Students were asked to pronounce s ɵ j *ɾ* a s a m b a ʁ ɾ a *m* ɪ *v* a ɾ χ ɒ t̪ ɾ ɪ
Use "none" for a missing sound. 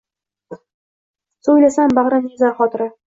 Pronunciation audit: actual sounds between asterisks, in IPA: l, n, z

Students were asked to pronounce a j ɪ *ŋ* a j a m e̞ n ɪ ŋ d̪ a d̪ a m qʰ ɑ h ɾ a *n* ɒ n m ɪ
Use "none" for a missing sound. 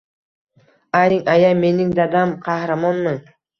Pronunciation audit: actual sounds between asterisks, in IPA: ŋ, m

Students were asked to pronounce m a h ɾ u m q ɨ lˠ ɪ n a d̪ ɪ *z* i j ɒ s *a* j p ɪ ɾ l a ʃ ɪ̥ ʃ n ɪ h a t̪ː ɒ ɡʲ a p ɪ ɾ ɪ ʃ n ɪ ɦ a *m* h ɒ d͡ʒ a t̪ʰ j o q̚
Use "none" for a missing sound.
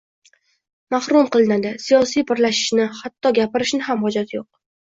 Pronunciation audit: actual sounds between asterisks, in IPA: s, i, m

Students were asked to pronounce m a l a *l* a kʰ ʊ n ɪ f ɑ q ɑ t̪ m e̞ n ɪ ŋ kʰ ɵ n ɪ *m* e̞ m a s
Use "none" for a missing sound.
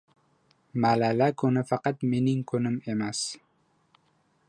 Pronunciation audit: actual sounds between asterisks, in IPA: l, m

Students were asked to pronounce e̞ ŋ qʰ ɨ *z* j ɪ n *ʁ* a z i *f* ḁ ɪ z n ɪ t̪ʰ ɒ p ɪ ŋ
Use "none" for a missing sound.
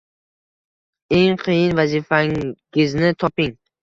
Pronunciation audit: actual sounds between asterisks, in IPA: none, v, f

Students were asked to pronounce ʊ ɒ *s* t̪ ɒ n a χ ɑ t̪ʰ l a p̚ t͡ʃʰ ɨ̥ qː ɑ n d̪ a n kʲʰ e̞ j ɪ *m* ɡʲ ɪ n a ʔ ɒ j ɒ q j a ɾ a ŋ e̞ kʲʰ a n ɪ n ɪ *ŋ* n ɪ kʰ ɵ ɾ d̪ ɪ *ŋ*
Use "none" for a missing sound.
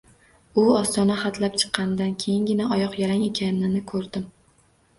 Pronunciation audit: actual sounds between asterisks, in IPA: s, ŋ, none, m

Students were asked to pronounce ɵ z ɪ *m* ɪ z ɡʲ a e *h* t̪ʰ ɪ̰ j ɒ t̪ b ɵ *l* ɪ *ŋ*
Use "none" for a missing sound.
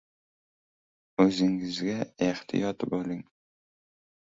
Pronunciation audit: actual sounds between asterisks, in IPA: ŋ, h, l, ŋ

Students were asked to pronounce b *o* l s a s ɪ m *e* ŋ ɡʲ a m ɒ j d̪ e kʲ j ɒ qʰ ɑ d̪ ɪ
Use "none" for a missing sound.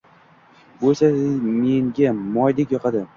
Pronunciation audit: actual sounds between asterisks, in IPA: o, e

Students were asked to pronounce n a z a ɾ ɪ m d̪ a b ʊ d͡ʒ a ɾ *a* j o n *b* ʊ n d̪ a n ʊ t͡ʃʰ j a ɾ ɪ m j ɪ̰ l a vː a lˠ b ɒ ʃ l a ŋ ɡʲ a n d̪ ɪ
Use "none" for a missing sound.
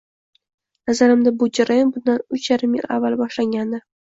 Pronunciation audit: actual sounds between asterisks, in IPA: a, b

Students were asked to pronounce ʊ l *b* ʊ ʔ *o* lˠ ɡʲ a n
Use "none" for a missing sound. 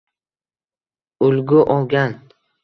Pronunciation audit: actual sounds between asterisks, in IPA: ɡ, ɒ

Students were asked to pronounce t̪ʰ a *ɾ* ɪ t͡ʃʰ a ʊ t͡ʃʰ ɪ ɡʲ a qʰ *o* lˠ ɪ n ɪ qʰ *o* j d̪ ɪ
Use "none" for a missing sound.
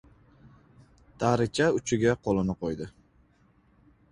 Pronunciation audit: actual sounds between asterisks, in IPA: ɾ, o, o

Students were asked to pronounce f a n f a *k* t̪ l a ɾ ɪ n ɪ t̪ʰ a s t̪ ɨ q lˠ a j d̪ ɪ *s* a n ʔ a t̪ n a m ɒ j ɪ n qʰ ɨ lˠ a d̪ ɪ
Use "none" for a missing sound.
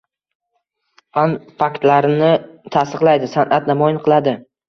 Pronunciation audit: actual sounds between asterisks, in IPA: k, s

